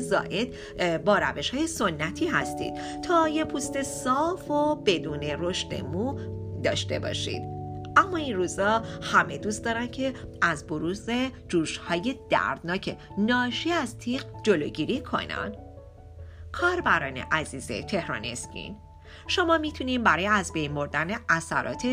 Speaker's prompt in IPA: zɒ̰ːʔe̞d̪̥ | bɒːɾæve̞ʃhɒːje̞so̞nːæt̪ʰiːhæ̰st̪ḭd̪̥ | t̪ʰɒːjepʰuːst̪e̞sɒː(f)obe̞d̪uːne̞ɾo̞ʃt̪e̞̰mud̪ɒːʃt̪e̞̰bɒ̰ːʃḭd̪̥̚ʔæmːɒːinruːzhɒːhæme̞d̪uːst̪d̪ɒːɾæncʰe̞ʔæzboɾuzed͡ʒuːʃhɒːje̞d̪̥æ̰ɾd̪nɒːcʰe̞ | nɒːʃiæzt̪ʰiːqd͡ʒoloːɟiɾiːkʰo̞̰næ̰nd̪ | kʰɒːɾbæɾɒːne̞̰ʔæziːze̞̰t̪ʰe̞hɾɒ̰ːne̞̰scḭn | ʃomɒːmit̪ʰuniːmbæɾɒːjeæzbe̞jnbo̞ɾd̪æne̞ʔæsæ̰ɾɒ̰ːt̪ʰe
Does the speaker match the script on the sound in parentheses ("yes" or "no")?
yes